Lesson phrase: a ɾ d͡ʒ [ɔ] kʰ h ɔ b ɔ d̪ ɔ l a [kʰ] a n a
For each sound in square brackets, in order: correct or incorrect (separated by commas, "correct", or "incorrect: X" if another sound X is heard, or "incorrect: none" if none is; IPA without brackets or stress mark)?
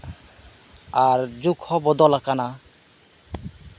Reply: incorrect: u, incorrect: k